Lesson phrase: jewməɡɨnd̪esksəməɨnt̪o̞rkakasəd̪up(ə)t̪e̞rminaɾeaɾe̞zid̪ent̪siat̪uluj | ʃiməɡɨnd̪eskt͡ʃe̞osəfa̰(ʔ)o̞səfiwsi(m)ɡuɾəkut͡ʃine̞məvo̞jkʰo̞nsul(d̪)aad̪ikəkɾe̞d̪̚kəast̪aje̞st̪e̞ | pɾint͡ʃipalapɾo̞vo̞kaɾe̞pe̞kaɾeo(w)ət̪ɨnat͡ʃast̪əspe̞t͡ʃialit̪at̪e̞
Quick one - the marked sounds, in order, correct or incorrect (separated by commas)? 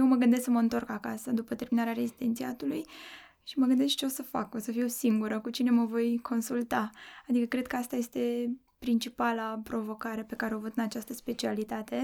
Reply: correct, incorrect, incorrect, incorrect, incorrect